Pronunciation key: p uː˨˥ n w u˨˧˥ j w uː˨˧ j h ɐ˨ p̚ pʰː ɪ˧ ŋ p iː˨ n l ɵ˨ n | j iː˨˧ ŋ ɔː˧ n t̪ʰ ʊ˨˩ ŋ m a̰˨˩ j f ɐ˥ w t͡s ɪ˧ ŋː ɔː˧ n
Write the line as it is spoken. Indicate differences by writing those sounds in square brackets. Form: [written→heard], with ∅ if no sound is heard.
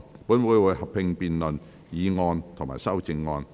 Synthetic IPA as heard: p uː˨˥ n w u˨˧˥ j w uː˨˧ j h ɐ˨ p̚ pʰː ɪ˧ ŋ p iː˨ n l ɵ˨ n | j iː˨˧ ŋ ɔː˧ n t̪ʰ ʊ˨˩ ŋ m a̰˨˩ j [f→s] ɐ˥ w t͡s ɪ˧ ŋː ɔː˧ n